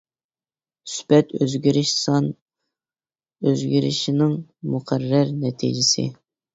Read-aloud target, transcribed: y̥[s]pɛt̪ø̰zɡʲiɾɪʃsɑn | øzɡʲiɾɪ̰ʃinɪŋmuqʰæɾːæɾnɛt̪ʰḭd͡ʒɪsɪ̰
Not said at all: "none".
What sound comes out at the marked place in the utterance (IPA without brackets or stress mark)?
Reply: s